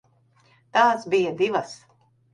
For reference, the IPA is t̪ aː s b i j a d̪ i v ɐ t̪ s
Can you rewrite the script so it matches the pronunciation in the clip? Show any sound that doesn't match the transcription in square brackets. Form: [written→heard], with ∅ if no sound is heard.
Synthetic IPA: t̪ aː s b i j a d̪ i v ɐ [t̪→∅] s